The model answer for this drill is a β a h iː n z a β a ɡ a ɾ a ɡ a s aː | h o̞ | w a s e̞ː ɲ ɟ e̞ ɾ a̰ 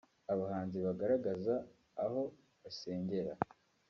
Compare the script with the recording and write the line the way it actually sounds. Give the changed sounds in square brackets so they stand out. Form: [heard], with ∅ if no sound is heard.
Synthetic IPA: a β a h [aː] n z [i] β a ɡ a ɾ a ɡ a [z] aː | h o̞ | [β] a s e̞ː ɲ ɟ e̞ ɾ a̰

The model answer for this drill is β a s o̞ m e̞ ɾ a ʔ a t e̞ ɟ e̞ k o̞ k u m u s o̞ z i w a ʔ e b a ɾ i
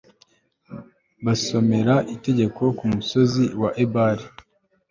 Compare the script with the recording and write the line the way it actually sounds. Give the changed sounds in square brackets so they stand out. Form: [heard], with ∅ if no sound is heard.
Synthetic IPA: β a s o̞ m e̞ ɾ a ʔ [i] t e̞ ɟ e̞ k o̞ k u m u s o̞ z i w a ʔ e b a ɾ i

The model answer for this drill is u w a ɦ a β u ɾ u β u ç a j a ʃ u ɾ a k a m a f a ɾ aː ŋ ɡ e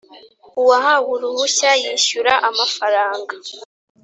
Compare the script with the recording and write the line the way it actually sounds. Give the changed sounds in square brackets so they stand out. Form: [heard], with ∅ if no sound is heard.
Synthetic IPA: u w a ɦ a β u ɾ u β u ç a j [i] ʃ u ɾ a [ʔ] a m a f a ɾ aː ŋ ɡ [a]

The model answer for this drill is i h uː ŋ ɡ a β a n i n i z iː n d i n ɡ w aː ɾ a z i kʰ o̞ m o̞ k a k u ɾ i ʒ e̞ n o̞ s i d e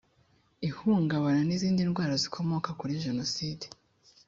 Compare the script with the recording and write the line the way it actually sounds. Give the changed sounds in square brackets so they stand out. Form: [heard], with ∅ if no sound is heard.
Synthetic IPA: i h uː ŋ ɡ a β a n [a] n i z iː n d i n ɡ w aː ɾ a z i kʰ o̞ m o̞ k a k u ɾ i ʒ e̞ n o̞ s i d e

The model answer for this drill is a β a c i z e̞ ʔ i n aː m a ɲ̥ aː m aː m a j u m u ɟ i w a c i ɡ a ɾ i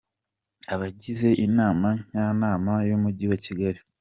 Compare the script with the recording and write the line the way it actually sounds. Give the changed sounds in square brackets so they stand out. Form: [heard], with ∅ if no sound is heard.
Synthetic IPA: a β a [ɟ] i z e̞ ʔ i n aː m a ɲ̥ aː [n] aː m a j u m u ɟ i w a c i ɡ a ɾ i

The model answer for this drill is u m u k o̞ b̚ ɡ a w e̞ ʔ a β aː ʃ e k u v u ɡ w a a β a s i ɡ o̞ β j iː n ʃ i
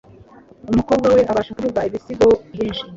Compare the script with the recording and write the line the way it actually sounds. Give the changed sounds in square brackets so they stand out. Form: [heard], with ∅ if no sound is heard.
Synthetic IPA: u m u k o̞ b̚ ɡ a w e̞ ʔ a β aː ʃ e k u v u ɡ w a [i] β [i] s i ɡ o̞ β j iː n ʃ i

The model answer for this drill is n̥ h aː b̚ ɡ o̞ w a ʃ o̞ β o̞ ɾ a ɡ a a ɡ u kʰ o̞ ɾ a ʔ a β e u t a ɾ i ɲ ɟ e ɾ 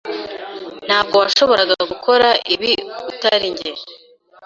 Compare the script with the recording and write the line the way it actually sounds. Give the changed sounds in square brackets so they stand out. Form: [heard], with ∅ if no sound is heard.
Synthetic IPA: n̥ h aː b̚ ɡ o̞ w a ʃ o̞ β o̞ ɾ a ɡ a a ɡ u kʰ o̞ ɾ a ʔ [i] β [i] u t a ɾ i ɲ ɟ e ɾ

